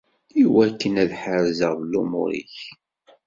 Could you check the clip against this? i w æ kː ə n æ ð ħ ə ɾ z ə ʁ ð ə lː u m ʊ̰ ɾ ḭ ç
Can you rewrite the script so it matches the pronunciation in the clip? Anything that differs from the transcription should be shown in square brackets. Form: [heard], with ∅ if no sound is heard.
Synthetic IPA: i w æ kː ə n æ ð ħ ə ɾ z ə ʁ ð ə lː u m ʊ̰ ɾ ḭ ç